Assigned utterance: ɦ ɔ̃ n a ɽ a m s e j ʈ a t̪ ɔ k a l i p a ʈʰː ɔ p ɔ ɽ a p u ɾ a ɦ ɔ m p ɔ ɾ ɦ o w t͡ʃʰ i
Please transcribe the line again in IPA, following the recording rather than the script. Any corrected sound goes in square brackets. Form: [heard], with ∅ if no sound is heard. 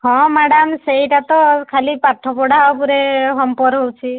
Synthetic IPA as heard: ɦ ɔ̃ [m] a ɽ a m s e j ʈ a t̪ ɔ [kʰ] a l i p a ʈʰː ɔ p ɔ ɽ a p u ɾ [e] ɦ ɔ m p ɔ ɾ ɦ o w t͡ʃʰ i

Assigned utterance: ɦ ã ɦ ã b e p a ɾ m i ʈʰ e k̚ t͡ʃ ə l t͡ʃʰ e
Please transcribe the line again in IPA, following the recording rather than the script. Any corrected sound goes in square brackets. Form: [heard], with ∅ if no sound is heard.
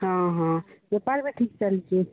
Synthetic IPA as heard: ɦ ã ɦ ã b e p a ɾ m [e] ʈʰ [i] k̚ t͡ʃ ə l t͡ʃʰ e

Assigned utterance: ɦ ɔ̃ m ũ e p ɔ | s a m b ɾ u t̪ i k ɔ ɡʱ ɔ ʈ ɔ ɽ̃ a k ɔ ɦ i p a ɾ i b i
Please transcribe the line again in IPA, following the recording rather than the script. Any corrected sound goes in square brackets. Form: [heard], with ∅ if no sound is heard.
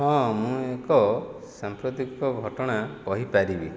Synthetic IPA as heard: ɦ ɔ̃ m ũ e [k] ɔ | s a m [p] ɾ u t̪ i k ɔ ɡʱ ɔ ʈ ɔ ɽ̃ a k ɔ ɦ i p a ɾ i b i

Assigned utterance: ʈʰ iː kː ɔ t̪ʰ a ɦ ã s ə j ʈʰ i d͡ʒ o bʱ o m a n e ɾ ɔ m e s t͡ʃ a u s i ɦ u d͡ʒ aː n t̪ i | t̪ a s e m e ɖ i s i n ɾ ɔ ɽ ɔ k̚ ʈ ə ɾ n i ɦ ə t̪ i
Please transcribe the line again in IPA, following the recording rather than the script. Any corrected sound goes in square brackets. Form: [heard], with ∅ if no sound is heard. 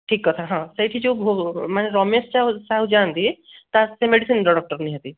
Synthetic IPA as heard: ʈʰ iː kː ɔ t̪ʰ a ɦ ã s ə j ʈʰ i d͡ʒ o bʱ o m a n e ɾ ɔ m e s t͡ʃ a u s [a] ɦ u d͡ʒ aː n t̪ i | t̪ a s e m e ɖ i s i n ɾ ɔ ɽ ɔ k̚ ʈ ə ɾ n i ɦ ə t̪ i

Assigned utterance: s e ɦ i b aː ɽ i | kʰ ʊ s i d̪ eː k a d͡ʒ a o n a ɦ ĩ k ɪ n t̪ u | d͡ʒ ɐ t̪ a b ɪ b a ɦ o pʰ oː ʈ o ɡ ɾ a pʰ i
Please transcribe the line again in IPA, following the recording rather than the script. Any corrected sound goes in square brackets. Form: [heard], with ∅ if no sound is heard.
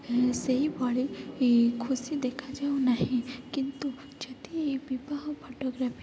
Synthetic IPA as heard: s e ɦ i b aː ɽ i | kʰ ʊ s i d̪ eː [kʰ] a d͡ʒ a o n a ɦ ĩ k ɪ n t̪ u | d͡ʒ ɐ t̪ [i] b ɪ b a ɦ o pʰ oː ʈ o ɡ ɾ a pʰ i

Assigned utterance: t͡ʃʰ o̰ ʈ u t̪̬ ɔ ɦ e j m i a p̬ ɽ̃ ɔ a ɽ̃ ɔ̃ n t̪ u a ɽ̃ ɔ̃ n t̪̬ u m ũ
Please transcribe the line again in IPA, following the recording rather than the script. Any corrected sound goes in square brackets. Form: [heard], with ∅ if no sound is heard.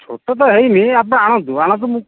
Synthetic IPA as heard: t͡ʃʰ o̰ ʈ [ɔ] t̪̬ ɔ ɦ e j m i a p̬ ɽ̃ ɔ a ɽ̃ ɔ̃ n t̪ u a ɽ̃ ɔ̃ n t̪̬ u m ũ

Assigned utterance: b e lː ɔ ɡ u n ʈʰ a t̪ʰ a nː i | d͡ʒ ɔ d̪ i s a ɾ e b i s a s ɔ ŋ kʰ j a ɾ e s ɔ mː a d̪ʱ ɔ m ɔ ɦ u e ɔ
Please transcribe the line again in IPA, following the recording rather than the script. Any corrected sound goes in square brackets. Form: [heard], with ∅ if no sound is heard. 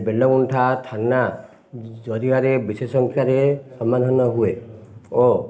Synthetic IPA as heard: b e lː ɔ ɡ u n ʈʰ a t̪ʰ a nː [a] | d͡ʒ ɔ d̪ i [∅] a ɾ e b i s [e] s ɔ ŋ kʰ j a ɾ e s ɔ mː a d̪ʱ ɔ [n] ɔ ɦ u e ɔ

